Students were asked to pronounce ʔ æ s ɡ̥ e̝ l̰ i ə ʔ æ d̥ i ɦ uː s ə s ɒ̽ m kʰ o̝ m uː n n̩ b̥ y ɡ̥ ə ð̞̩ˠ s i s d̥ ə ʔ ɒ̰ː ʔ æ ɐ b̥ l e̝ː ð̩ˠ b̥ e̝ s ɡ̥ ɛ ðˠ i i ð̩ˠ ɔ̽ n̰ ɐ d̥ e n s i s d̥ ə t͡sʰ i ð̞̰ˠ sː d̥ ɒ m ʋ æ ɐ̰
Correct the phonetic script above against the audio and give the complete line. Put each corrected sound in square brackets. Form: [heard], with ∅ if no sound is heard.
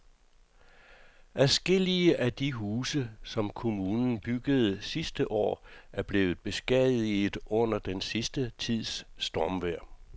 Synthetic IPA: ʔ æ s ɡ̥ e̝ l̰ i ə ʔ æ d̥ i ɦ uː s ə s ɒ̽ m kʰ o̝ m uː n n̩ b̥ y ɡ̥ ə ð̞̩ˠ s i s d̥ ə ʔ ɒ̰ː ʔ æ ɐ b̥ l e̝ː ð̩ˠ b̥ e̝ s ɡ̥ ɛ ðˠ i i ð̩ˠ ɔ̽ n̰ ɐ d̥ e n s i s d̥ ə t͡sʰ i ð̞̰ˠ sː d̥ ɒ m ʋ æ ɐ̰